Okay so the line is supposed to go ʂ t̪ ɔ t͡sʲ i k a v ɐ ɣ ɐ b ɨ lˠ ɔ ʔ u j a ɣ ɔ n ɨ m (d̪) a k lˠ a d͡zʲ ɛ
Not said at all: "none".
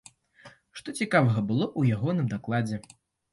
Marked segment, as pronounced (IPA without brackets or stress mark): d̪